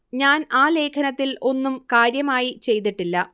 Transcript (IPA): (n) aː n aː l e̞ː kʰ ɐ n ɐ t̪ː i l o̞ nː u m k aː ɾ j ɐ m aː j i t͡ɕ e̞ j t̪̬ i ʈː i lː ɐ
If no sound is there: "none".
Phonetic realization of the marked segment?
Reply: ɲ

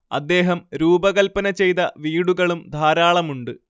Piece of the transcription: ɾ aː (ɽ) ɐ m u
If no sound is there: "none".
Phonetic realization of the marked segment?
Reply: ɭ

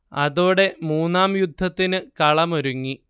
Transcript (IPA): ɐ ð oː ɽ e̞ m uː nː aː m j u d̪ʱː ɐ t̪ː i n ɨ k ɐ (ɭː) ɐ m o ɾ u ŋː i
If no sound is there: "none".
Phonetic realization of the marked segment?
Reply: ɭ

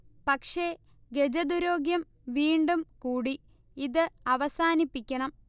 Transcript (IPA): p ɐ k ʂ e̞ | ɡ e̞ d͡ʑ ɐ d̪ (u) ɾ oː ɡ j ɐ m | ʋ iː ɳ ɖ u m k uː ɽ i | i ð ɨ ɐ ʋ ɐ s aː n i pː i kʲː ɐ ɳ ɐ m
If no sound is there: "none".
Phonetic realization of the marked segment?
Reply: u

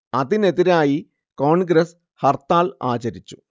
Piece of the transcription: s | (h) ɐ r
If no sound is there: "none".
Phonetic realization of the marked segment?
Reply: h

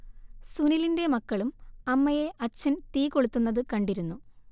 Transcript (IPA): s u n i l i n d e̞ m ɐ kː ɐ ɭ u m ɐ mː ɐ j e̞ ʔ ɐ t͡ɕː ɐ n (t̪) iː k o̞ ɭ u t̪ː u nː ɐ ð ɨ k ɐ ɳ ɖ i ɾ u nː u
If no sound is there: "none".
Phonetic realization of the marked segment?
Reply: t̪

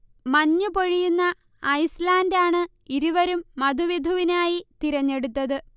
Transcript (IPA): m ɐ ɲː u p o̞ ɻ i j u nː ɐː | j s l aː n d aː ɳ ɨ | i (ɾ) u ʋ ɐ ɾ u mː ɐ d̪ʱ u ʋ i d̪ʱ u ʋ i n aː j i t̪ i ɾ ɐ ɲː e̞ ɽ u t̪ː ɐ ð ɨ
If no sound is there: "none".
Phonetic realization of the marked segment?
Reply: ɾ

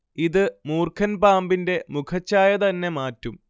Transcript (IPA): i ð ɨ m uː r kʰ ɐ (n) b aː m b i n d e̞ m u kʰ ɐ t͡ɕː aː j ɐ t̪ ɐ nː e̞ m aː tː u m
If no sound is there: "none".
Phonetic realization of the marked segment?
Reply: n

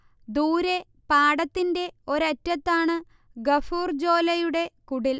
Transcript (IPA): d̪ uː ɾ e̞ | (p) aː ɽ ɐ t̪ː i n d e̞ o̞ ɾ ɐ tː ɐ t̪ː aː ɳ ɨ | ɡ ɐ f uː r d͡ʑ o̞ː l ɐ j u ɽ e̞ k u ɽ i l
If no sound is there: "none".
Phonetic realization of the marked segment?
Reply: p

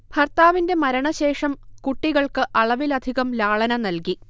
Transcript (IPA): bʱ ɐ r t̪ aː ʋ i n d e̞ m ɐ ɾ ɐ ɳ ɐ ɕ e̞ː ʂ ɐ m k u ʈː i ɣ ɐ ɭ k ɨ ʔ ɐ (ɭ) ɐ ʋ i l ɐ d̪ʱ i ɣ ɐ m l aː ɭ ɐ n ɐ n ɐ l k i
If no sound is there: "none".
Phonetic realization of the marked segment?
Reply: ɭ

